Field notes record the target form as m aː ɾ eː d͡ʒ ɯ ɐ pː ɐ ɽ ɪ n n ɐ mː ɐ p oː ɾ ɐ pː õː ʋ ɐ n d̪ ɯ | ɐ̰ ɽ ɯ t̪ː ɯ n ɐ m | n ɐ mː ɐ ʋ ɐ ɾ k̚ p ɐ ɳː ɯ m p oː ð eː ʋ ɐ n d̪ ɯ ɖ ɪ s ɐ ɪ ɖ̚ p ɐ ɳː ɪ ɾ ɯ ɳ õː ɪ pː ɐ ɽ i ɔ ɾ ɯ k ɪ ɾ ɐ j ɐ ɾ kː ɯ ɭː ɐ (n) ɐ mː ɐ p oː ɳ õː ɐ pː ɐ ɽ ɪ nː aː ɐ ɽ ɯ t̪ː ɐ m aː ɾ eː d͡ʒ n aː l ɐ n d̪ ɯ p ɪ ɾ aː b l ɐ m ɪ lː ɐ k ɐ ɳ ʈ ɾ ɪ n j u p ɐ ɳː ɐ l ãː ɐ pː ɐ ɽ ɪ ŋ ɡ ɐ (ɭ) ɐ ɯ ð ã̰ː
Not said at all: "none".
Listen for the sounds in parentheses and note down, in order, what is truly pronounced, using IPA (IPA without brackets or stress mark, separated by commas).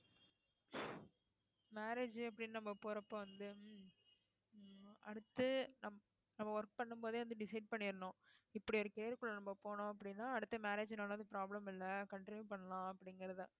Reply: n, ɾ